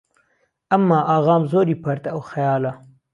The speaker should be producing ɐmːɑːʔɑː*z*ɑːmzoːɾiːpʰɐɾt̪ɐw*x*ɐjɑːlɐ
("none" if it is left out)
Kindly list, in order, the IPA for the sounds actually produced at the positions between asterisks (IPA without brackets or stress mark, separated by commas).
ɣ, x